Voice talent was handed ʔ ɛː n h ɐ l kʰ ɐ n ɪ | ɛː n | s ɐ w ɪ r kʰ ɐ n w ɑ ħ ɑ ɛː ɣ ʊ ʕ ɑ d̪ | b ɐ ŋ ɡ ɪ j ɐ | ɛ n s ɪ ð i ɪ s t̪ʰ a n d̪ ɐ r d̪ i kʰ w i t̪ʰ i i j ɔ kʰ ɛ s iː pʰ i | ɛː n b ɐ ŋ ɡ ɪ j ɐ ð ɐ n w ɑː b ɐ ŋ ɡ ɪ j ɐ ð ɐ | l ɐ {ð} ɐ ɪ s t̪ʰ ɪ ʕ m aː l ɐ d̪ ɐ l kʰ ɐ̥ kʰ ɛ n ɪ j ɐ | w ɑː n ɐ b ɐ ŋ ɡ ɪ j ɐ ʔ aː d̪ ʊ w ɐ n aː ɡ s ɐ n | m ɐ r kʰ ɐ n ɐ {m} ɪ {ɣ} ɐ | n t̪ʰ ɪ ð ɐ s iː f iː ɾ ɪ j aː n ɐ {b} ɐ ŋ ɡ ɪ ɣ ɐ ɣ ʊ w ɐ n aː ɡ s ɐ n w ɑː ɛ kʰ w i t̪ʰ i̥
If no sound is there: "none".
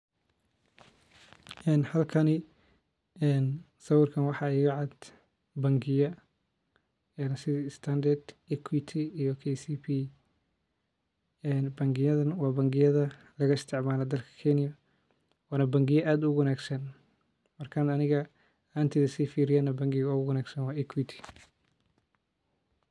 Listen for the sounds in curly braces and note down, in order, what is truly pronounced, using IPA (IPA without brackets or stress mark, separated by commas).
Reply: ɣ, n, ɣ, b